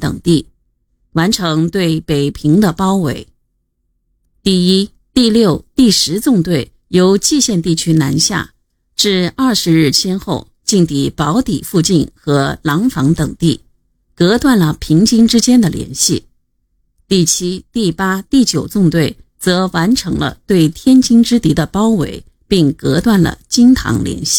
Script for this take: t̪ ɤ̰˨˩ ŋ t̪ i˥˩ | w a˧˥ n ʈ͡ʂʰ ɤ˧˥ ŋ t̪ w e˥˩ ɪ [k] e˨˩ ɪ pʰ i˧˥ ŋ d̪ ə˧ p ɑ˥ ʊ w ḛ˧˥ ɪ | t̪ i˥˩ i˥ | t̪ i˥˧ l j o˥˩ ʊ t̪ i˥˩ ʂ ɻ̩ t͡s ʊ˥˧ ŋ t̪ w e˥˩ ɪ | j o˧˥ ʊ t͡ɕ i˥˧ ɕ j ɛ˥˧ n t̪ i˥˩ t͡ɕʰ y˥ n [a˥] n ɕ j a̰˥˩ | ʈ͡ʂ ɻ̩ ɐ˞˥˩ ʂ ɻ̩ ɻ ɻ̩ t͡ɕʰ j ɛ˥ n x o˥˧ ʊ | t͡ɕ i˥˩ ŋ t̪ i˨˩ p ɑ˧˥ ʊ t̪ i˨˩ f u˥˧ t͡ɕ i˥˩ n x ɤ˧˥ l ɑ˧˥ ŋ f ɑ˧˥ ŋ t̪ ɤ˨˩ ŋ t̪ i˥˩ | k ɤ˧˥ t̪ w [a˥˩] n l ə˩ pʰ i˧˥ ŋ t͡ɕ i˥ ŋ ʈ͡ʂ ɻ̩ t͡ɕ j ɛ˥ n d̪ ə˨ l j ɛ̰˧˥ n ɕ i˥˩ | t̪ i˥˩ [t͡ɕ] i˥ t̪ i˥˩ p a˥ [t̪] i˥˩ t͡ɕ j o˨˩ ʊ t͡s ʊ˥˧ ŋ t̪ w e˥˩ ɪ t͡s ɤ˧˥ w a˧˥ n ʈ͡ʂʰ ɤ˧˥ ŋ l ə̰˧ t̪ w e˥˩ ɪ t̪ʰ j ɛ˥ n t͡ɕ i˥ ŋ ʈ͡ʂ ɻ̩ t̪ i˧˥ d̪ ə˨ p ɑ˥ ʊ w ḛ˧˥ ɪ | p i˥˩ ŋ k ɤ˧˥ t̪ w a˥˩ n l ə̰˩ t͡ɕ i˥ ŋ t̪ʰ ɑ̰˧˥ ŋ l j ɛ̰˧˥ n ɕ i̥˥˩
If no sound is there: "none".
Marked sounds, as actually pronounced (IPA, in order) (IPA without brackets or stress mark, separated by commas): p, a˧˥, a˥˩, t͡ɕʰ, t̪